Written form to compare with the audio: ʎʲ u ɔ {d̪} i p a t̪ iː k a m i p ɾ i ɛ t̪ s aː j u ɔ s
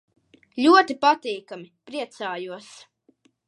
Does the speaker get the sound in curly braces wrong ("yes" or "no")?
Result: yes